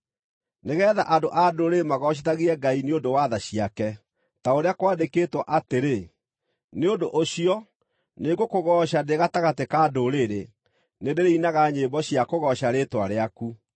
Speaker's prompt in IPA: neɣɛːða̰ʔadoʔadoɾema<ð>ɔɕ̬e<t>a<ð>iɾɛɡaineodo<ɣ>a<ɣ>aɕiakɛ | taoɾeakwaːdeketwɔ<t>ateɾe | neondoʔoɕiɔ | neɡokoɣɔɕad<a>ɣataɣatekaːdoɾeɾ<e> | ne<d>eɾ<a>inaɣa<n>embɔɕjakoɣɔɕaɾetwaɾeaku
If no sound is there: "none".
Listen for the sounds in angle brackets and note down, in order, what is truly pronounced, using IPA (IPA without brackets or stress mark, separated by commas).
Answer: ɣ, t, ɣ, w, ð, ʔ, e, e, d, e, ɲ